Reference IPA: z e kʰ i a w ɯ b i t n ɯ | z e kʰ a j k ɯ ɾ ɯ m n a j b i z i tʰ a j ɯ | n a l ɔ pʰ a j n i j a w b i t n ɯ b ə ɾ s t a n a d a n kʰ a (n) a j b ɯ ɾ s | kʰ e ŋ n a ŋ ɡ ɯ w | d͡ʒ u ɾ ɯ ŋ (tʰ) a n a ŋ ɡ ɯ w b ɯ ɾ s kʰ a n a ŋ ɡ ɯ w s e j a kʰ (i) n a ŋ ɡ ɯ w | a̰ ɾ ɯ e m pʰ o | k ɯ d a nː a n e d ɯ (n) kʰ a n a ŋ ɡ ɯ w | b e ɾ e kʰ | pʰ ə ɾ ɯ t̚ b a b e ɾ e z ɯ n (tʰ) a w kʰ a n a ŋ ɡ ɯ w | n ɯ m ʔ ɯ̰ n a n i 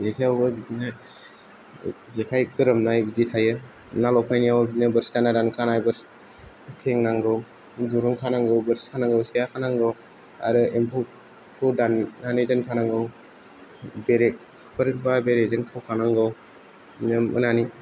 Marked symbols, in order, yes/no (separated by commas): yes, no, no, yes, no